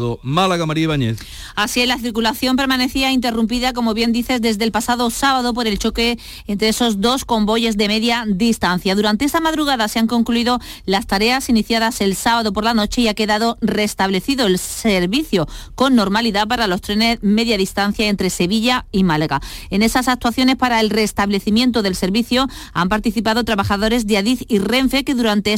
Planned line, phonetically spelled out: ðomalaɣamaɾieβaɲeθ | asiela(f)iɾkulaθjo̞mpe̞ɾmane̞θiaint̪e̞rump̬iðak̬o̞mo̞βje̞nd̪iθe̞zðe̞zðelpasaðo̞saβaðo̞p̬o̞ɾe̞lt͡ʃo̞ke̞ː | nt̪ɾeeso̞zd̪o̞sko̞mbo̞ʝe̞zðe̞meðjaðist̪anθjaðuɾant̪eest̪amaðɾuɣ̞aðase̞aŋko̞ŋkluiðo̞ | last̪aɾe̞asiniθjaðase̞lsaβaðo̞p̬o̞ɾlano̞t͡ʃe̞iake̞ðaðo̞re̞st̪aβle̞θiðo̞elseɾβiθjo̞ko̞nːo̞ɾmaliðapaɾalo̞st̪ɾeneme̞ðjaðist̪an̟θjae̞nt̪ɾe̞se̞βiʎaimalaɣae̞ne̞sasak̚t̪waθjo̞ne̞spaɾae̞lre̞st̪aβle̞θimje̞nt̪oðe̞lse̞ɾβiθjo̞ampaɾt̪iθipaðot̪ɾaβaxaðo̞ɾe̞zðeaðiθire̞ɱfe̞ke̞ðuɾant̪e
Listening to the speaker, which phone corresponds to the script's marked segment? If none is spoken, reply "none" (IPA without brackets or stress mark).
θ